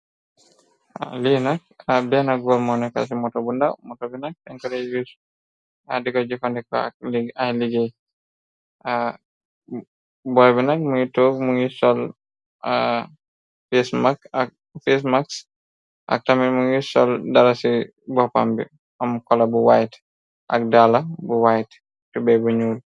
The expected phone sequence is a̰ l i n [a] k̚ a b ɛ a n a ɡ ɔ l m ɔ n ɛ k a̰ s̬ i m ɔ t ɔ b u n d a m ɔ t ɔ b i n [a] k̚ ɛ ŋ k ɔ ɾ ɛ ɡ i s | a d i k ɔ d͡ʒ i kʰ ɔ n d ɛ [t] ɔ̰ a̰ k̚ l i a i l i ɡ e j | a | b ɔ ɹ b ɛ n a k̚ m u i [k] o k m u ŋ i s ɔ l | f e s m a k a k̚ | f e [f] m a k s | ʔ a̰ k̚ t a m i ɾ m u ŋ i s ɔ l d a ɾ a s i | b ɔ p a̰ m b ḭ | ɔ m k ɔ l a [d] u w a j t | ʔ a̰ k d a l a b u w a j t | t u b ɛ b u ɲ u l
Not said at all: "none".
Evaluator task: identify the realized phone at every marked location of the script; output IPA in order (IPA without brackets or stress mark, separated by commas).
a, a, k, t, s, b